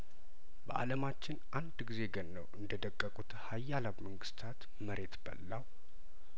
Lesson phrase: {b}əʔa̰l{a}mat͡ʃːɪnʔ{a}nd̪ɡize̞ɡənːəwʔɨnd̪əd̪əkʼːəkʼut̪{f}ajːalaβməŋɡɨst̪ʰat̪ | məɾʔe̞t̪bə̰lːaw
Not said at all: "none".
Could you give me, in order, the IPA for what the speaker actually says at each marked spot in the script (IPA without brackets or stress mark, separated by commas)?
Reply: b, ə, a, h